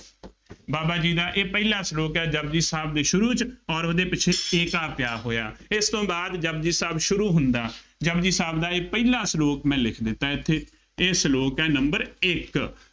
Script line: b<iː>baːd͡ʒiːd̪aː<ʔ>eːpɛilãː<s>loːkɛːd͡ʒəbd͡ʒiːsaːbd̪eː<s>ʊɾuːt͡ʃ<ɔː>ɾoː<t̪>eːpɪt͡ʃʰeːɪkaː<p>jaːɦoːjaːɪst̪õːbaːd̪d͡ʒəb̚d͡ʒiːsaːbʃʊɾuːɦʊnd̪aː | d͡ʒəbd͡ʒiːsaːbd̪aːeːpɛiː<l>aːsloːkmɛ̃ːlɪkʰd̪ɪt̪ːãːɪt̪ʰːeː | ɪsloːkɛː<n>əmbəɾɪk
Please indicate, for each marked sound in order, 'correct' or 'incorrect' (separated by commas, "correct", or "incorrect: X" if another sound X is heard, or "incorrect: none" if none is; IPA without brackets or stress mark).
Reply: incorrect: aː, correct, correct, incorrect: ʃ, correct, incorrect: d̪, correct, correct, correct